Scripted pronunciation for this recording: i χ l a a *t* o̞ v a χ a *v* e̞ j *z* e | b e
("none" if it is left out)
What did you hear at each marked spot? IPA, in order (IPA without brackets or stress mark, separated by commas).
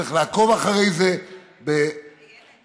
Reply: k, ʁ, z